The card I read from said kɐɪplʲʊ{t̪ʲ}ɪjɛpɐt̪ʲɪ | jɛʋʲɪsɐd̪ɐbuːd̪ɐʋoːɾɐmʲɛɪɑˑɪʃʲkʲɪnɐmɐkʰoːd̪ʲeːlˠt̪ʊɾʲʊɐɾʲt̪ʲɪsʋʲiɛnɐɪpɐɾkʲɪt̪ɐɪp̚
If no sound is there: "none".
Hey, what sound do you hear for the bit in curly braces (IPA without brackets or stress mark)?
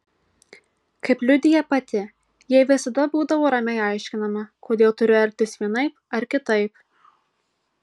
d̪ʲ